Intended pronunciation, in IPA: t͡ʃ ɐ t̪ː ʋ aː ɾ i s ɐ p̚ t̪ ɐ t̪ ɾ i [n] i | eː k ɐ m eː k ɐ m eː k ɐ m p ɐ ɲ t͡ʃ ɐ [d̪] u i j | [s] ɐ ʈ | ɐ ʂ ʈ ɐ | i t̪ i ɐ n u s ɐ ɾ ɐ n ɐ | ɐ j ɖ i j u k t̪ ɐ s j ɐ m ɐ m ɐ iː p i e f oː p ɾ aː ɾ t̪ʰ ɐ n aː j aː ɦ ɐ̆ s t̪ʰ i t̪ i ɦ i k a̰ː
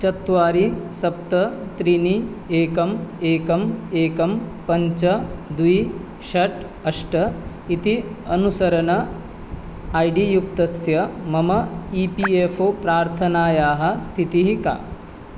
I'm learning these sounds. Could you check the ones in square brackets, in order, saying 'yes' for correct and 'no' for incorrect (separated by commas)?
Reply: yes, yes, no